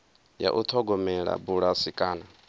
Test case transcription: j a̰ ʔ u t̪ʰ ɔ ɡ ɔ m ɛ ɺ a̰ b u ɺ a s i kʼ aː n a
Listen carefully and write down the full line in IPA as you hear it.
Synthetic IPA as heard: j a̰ ʔ u t̪ʰ ɔ ɡ ɔ m ɛ ɺ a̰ b u ɺ a s i kʼ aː n a